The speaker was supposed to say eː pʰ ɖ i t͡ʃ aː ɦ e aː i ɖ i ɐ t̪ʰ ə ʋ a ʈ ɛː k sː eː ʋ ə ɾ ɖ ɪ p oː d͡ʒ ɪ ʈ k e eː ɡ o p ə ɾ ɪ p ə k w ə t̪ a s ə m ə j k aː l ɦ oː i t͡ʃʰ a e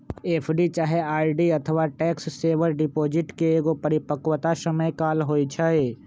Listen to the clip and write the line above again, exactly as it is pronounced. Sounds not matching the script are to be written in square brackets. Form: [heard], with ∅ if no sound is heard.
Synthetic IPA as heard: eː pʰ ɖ i t͡ʃ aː ɦ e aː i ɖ i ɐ t̪ʰ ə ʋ a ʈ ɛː k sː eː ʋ ə ɾ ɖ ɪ p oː d͡ʒ ɪ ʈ k e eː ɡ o p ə ɾ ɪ p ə k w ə t̪ a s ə m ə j k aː l ɦ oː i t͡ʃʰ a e